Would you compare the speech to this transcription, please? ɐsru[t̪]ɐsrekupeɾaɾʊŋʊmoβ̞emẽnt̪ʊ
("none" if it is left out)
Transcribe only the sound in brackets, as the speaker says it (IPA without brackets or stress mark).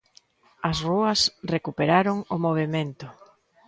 none